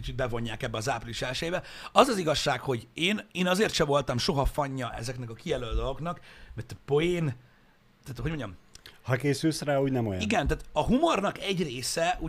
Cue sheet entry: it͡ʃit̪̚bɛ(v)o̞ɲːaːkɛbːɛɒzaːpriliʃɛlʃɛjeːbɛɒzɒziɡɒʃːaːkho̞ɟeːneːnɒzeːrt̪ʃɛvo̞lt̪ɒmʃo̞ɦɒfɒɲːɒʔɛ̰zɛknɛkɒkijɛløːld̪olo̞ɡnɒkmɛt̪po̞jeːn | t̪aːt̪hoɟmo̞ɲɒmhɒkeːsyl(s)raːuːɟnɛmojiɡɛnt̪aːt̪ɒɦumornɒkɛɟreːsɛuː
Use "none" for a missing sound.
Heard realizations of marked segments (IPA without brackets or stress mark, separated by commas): v, s